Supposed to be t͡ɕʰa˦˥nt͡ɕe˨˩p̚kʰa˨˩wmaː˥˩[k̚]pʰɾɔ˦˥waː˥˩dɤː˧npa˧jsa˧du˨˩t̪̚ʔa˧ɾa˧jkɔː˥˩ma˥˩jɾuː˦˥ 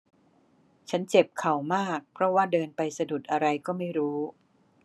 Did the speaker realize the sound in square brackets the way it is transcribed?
yes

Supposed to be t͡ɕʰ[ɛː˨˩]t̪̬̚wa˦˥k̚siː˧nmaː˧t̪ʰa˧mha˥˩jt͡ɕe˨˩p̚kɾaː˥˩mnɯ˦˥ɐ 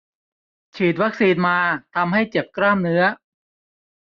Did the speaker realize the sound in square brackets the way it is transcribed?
no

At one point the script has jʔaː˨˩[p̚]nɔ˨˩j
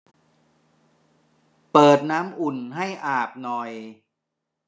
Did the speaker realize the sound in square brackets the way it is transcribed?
yes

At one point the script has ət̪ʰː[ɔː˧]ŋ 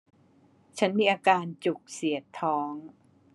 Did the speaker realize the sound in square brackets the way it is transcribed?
no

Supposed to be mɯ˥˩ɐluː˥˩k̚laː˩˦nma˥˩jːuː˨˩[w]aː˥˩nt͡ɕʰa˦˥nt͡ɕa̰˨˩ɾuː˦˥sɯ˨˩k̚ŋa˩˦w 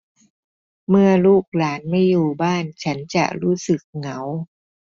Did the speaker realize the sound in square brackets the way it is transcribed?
no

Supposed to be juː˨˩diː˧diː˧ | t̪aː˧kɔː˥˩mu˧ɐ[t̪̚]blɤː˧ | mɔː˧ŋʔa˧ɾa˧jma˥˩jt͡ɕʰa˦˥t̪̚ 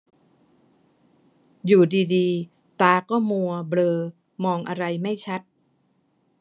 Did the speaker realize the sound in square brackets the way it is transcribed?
no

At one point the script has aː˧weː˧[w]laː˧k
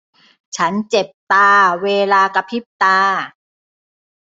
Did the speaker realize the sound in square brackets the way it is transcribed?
no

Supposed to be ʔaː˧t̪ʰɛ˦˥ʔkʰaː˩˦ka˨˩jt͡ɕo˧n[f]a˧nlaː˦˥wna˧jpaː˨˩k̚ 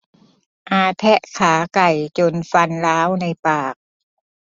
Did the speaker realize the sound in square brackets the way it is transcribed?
yes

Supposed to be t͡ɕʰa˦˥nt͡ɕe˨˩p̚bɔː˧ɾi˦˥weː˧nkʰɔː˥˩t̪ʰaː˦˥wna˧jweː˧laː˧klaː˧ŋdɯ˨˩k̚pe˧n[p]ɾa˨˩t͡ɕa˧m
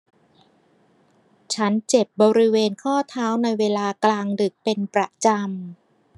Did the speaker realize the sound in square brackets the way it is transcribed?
yes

